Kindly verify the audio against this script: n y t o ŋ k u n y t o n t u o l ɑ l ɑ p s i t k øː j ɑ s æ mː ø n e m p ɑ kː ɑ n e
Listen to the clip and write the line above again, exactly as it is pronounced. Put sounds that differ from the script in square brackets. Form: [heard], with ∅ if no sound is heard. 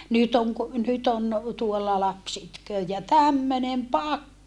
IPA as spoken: n y t o ŋ k u n y t o n t u o [lː] ɑ l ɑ p s i t k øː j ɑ [t] æ mː ø n e m p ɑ kː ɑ n e